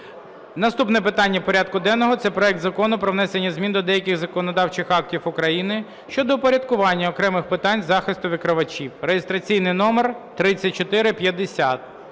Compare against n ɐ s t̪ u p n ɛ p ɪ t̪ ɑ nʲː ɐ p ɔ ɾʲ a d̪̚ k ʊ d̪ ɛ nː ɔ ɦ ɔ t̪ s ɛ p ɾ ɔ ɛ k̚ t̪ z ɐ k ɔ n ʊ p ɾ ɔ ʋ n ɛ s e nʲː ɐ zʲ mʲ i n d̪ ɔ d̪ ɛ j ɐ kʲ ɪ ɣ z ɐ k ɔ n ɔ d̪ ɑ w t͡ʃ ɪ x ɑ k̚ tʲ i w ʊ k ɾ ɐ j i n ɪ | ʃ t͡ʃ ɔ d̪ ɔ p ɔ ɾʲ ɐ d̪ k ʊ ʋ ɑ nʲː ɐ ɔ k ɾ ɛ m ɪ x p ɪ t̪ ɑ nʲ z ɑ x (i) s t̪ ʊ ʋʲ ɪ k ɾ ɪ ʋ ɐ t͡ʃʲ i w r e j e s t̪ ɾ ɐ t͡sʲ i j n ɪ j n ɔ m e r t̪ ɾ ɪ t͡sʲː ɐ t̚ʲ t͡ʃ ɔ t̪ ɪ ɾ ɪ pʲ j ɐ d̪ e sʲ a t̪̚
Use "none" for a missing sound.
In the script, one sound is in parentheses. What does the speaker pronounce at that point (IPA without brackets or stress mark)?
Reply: ɪ